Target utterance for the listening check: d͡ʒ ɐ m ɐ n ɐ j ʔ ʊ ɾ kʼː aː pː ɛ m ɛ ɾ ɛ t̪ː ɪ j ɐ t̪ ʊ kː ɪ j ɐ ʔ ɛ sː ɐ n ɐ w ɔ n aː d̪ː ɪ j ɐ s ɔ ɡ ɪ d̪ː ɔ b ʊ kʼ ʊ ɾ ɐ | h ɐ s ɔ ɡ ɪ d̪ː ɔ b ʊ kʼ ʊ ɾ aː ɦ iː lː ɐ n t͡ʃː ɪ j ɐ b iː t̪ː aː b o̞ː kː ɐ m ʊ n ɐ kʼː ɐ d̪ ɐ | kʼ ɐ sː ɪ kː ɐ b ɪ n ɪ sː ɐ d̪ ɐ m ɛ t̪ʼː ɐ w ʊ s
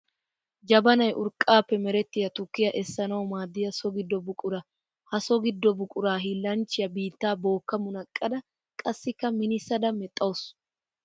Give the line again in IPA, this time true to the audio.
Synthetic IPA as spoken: d͡ʒ ɐ b ɐ n ɐ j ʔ ʊ ɾ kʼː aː pː ɛ m ɛ ɾ ɛ t̪ː ɪ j ɐ t̪ ʊ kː ɪ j ɐ ʔ ɛ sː ɐ n ɐ w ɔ m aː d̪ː ɪ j ɐ s ɔ ɡ ɪ d̪ː ɔ b ʊ kʼ ʊ ɾ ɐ | h ɐ s ɔ ɡ ɪ d̪ː ɔ b ʊ kʼ ʊ ɾ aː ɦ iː lː ɐ n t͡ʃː ɪ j ɐ b iː t̪ː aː b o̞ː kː ɐ m ʊ n ɐ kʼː ɐ d̪ ɐ | kʼ ɐ sː ɪ kː ɐ m ɪ n ɪ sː ɐ d̪ ɐ m ɛ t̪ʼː ɐ w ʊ s

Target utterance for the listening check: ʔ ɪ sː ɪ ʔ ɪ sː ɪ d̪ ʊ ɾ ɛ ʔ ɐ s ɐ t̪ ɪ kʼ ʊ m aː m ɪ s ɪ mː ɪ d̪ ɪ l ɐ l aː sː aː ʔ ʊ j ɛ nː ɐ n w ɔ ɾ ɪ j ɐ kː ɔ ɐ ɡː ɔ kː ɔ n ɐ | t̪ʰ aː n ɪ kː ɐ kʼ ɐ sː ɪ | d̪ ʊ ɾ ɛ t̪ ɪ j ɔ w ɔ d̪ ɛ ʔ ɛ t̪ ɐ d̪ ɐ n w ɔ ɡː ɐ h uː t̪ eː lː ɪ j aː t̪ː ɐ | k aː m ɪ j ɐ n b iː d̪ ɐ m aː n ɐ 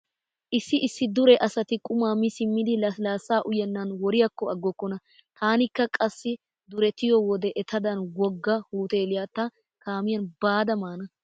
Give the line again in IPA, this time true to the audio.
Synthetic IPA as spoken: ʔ ɪ sː ɪ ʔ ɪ sː ɪ d̪ ʊ ɾ ɛ ʔ ɐ s ɐ t̪ ɪ kʼ ʊ m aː m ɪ s ɪ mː ɪ d̪ ɪ l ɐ l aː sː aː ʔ ʊ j ɛ nː ɐ n w ɔ ɾ ɪ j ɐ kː ɔ ɐ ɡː ɔ kː ɔ n ɐ | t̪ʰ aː n ɪ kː ɐ kʼ ɐ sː ɪ | d̪ ʊ ɾ ɛ t̪ ɪ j ɔ w ɔ d̪ ɛ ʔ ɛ t̪ ɐ d̪ ɐ n w ɔ ɡː ɐ h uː t̪ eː l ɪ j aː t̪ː ɐ | k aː m ɪ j ɐ n b aː d̪ ɐ m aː n ɐ

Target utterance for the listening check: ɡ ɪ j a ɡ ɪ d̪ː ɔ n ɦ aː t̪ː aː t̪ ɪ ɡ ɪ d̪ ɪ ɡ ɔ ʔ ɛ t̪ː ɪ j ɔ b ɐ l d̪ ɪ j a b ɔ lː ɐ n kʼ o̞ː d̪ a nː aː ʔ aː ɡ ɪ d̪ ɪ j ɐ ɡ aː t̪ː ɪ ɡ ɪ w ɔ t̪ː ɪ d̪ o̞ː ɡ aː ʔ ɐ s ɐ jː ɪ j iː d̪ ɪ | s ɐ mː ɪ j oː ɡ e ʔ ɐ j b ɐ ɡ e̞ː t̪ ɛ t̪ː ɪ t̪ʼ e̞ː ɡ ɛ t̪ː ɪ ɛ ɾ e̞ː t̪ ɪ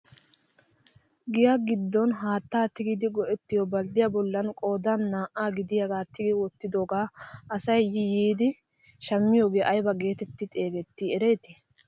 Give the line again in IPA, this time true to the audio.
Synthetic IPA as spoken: ɡ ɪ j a ɡ ɪ d̪ː ɔ n ɦ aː t̪ː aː t̪ ɪ ɡ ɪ d̪ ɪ ɡ ɔ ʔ ɛ t̪ː ɪ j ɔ b ɐ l d̪ ɪ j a b ɔ lː ɐ n kʼ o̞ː d̪ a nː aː ʔ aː ɡ ɪ d̪ ɪ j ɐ ɡ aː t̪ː ɪ ɡ ɪ w ɔ t̪ː ɪ d̪ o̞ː ɡ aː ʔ ɐ s ɐ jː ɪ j iː d̪ ɪ | ʃ ɐ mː ɪ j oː ɡ e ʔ ɐ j b ɐ ɡ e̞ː t̪ ɛ t̪ː ɪ t̪ʼ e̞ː ɡ ɛ t̪ː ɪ ɛ ɾ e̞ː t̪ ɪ

